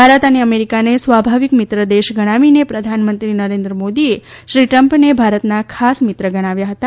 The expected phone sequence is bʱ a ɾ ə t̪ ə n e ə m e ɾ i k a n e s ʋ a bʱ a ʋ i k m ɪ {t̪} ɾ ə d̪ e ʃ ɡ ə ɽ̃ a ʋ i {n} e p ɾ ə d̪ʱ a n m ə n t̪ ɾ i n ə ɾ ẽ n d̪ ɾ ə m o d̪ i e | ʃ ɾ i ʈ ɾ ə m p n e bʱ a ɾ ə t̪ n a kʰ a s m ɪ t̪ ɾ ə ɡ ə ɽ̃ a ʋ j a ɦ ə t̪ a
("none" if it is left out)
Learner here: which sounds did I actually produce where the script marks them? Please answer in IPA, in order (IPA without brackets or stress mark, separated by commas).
t̪, n